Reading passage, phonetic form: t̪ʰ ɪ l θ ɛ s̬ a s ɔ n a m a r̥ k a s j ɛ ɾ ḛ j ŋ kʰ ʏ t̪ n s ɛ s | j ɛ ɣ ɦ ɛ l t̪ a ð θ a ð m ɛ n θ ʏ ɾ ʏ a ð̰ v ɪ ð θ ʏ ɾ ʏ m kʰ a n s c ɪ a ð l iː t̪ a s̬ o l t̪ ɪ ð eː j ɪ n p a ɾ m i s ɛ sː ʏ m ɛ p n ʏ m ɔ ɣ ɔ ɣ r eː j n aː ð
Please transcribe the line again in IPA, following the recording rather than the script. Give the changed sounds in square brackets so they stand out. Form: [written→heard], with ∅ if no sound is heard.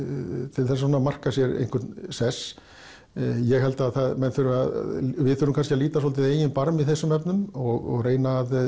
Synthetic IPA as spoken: t̪ʰ ɪ l θ ɛ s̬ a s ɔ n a m a r̥ k a s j ɛ ɾ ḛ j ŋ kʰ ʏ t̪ n s ɛ s | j ɛ ɣ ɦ ɛ l t̪ a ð θ a ð m ɛ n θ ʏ ɾ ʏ a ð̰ v ɪ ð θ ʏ ɾ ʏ m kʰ a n s c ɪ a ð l iː t̪ a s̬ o l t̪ ɪ ð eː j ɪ n p a ɾ m i [s→θ] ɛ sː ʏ m ɛ p n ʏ m ɔ ɣ ɔ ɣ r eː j n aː ð